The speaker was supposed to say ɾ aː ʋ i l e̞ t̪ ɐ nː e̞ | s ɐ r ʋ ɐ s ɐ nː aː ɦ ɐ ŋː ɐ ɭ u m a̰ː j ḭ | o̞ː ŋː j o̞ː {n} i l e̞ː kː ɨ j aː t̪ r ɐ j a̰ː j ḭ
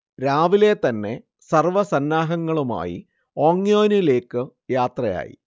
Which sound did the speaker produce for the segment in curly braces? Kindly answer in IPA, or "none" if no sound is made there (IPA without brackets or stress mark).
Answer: n